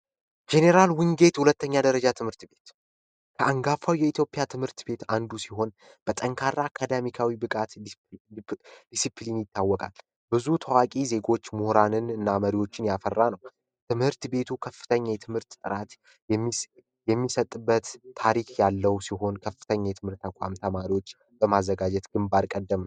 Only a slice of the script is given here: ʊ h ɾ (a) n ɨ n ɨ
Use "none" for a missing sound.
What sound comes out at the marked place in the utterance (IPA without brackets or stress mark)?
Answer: a